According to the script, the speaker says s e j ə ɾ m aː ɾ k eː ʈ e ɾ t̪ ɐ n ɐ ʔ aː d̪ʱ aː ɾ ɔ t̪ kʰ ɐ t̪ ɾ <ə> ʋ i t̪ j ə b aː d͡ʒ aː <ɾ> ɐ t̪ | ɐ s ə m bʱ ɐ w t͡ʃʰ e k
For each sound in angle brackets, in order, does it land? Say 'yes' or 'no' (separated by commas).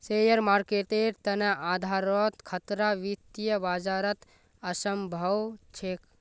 no, yes